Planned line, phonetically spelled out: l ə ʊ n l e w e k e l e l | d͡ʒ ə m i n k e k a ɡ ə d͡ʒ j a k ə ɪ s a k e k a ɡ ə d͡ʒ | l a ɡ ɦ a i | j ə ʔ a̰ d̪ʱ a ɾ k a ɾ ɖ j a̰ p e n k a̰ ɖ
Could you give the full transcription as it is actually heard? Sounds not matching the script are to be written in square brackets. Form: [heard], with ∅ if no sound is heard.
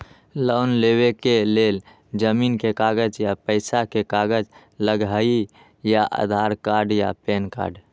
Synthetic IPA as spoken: l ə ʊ n l e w e k e l e l | d͡ʒ ə m i n k e k a ɡ ə d͡ʒ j a [p] ə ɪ s a k e k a ɡ ə d͡ʒ | l [ə] ɡ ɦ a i | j [a] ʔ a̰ d̪ʱ a ɾ k a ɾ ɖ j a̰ p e n k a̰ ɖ